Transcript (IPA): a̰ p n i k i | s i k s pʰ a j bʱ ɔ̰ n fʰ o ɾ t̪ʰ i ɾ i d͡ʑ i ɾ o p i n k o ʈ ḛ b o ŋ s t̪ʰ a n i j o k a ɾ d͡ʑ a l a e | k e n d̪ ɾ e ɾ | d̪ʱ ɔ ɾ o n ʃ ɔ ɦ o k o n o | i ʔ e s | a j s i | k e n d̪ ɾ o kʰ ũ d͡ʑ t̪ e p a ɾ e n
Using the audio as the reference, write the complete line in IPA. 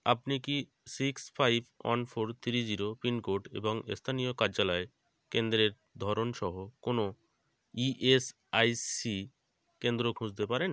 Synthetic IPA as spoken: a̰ p n i k i | s i k s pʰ a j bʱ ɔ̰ n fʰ o ɾ t̪ʰ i ɾ i d͡ʑ i ɾ o p i n k o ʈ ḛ b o ŋ s t̪ʰ a n i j o k a ɾ d͡ʑ a l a e | k e n d̪ ɾ e ɾ | d̪ʱ ɔ ɾ o n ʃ ɔ ɦ o k o n o | i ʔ e s | a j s i | k e n d̪ ɾ o kʰ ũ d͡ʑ t̪ e p a ɾ e n